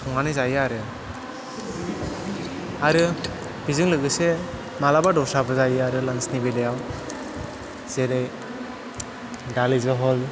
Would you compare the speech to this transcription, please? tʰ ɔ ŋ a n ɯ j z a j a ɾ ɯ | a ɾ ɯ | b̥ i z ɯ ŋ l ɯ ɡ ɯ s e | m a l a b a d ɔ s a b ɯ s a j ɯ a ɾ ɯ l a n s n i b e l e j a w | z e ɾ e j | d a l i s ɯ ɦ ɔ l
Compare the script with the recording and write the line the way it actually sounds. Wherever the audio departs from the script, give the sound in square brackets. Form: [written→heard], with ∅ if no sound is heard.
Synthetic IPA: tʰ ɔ ŋ a n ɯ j z a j a ɾ ɯ | a ɾ ɯ | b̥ i z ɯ ŋ l ɯ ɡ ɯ s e | m a l a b a d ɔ s a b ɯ [s→z] a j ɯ a ɾ ɯ l a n s n i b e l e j a w | z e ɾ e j | d a l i [s→z] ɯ ɦ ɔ l